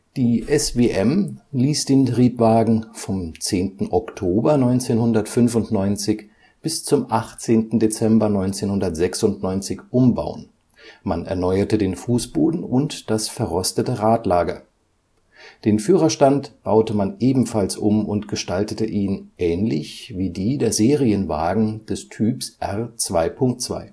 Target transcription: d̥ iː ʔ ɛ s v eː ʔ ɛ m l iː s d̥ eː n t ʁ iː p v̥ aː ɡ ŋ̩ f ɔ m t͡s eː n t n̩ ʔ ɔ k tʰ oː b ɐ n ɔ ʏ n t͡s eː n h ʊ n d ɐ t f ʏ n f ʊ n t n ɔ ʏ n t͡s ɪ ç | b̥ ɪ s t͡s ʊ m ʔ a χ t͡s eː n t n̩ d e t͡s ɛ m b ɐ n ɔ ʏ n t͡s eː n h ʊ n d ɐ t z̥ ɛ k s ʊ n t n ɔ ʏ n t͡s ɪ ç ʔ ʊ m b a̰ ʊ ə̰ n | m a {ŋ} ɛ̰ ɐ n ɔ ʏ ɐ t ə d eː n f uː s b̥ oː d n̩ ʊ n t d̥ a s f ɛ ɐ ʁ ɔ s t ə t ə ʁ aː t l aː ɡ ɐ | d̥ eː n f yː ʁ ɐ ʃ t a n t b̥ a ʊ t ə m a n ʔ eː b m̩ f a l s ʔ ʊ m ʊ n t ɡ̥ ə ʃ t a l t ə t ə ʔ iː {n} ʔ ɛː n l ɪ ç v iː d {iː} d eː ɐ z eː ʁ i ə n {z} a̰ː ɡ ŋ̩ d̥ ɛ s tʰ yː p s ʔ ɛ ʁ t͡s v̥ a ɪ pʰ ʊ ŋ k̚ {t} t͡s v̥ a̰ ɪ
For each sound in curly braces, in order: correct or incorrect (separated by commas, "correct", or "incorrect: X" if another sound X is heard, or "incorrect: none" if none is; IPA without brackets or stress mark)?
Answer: incorrect: n, correct, correct, incorrect: v, correct